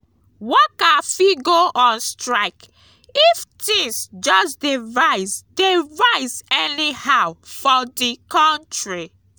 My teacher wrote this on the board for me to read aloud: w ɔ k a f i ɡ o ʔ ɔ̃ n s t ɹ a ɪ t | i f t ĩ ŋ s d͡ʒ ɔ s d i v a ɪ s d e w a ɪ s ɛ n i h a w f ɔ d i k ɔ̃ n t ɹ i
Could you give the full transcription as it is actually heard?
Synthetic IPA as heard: w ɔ k a f i ɡ o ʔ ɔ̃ n s t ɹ a ɪ k | i f t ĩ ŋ s d͡ʒ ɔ s d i v a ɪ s d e v a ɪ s ɛ n i h a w f ɔ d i k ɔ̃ n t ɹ i